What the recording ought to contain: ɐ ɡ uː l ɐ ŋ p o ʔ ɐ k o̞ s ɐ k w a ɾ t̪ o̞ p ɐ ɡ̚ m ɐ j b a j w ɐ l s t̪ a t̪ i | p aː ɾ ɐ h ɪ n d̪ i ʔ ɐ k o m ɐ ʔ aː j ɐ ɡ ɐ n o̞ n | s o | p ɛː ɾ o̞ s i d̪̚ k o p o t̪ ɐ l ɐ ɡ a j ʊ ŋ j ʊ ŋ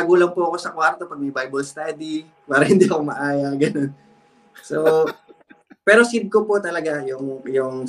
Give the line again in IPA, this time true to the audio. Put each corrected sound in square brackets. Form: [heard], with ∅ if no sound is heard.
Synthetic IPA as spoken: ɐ ɡ uː l ɐ ŋ p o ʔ ɐ k o̞ s ɐ k w a ɾ t̪ o̞ p ɐ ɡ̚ m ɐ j b a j [b] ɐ l s t̪ a [d̪] i | p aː ɾ ɐ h ɪ n d̪ i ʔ ɐ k o m ɐ ʔ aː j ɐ ɡ ɐ n o̞ n | s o | p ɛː ɾ o̞ s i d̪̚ k o p o t̪ ɐ l ɐ ɡ a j ʊ ŋ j ʊ ŋ